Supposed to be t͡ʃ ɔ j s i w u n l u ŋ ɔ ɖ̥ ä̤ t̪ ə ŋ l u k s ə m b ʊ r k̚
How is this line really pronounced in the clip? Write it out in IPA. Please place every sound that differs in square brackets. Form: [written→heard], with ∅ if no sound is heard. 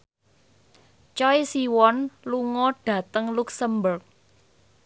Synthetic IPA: t͡ʃ ɔ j s i w [u→ɔ] n l u ŋ ɔ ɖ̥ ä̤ t̪ ə ŋ l u k s ə m b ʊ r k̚